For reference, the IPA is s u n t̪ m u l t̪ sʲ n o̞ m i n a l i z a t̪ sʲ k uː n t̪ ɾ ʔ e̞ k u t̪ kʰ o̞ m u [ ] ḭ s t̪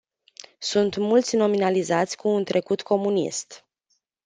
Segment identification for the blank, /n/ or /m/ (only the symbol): n